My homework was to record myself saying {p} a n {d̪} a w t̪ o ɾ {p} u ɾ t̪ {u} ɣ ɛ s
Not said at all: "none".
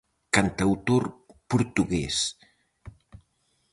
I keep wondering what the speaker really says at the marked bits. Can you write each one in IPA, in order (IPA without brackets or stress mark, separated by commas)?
k, t̪, p, u